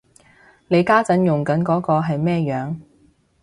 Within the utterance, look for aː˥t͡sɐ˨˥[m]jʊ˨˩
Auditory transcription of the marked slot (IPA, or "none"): n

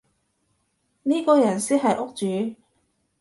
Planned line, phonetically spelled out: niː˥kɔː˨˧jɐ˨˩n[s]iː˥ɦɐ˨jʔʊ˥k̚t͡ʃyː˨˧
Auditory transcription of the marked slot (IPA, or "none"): s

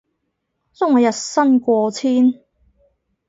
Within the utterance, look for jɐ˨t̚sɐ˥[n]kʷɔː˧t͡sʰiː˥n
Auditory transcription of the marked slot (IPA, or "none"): n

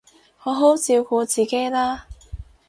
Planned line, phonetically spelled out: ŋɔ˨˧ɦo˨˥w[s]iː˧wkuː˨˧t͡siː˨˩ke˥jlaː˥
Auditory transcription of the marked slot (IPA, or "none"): t͡s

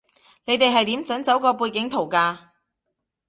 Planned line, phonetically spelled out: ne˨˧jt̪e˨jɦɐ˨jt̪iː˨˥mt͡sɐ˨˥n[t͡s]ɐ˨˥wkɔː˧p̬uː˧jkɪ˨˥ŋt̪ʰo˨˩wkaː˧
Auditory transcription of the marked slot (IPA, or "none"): t͡s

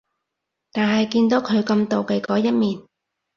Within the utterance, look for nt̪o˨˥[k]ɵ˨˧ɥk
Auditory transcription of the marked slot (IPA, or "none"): kʰ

